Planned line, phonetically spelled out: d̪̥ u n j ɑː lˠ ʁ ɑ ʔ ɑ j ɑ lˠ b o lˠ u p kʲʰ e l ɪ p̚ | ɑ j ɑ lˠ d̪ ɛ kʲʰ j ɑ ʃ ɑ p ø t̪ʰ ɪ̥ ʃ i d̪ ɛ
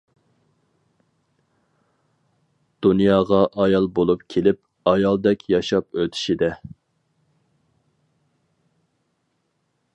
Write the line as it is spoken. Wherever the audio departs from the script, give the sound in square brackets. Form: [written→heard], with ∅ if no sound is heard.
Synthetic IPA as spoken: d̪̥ u n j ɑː [lˠ→∅] ʁ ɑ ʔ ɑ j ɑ lˠ b o lˠ u p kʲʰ e l ɪ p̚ | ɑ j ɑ lˠ d̪ ɛ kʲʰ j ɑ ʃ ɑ p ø t̪ʰ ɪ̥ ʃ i d̪ ɛ